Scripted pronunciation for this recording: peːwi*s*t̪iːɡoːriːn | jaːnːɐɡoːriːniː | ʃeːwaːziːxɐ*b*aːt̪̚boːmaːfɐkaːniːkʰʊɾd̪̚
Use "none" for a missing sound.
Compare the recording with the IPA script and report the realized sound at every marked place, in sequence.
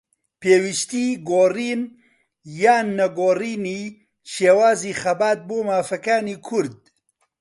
ʃ, b

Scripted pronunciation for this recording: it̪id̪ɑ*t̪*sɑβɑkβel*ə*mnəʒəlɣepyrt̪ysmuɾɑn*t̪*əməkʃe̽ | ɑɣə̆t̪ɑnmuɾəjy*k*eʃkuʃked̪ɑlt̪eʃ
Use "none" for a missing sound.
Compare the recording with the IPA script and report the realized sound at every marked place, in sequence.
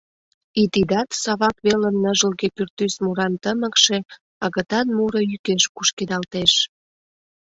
t̪, ə, t̪, k

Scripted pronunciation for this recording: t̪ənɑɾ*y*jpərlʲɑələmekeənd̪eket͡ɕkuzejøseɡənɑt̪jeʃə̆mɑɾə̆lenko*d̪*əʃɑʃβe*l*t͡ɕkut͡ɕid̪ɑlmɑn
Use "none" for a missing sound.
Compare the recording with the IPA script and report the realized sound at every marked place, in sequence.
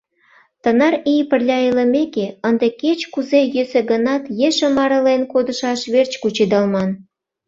i, d̪, r

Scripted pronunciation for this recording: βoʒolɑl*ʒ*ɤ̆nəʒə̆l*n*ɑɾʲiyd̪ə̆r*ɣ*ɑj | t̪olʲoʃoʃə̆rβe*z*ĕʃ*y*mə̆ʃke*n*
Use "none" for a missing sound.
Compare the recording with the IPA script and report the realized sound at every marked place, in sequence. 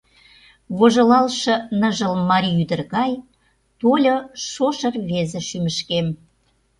ʃ, m, ɣ, z, y, m

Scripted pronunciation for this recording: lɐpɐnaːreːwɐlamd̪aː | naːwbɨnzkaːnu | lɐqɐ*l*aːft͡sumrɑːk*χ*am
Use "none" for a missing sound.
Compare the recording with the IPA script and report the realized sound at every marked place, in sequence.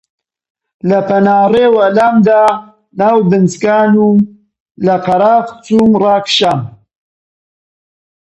ɾ, ʃ

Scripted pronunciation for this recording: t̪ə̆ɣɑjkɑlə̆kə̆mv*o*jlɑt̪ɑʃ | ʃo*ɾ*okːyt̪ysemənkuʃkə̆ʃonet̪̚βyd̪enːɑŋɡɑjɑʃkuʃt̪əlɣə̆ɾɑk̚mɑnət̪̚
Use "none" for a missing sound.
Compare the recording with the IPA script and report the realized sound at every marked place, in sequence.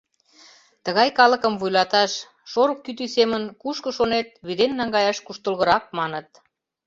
u, ɾ

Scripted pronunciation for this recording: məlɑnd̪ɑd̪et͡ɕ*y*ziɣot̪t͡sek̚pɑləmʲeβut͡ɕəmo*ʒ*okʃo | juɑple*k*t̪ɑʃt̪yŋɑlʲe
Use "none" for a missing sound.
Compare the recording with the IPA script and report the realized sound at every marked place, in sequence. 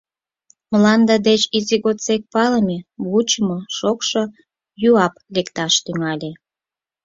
i, ʃ, k

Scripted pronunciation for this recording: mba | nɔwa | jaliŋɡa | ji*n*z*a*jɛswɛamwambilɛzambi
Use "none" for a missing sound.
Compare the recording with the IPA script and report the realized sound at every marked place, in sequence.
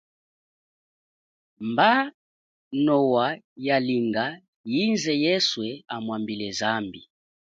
n, ɛ

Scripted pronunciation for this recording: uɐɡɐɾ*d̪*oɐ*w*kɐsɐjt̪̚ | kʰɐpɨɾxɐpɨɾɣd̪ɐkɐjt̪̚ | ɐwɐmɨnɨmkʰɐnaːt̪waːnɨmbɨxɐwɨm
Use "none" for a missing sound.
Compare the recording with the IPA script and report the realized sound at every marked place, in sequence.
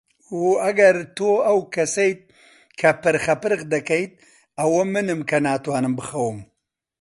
t̪, w

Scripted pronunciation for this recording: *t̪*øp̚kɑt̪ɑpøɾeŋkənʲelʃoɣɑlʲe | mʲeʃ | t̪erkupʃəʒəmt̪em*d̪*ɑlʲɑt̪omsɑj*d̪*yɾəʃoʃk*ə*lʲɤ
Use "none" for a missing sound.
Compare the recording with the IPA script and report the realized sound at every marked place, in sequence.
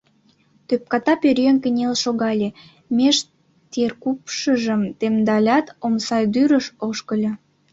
t̪, d̪, d̪, ə

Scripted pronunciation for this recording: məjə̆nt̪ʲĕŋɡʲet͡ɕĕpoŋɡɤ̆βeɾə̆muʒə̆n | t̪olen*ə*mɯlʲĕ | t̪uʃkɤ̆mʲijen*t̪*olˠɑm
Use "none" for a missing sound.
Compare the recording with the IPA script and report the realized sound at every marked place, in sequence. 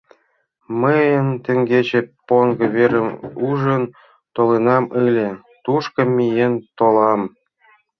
ɑ, t̪

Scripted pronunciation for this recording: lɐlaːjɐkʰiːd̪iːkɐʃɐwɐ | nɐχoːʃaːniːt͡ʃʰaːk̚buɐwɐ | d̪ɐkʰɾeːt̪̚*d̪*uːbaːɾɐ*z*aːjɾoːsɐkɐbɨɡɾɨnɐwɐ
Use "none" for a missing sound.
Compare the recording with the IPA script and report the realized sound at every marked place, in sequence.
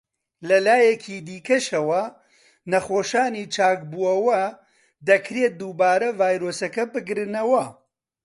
d̪, v

